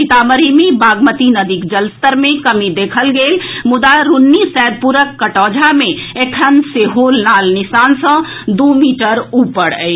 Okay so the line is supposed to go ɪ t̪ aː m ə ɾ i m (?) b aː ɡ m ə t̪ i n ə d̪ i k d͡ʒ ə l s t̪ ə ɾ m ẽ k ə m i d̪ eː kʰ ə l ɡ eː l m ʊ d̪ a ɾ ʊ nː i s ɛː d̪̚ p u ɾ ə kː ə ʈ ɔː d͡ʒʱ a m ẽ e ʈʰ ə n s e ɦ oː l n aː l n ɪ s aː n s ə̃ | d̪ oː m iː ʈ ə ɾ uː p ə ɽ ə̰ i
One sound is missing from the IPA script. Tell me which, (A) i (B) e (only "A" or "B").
A